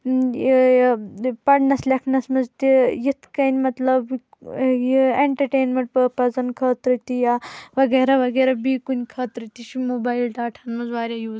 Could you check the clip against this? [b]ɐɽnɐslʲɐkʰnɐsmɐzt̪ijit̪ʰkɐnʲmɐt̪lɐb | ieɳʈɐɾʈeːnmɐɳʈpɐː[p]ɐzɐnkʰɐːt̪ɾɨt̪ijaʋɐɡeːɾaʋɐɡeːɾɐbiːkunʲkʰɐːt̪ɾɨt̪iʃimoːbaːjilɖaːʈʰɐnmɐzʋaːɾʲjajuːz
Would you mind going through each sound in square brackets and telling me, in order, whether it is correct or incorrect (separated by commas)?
incorrect, correct